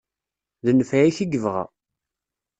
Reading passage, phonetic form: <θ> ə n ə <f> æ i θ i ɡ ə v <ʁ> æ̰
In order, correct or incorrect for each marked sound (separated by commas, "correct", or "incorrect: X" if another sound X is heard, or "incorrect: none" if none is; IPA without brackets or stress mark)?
incorrect: ð, correct, correct